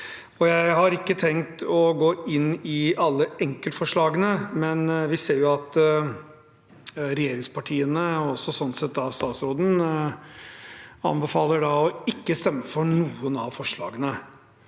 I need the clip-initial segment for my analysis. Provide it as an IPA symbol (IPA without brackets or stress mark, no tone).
ɔ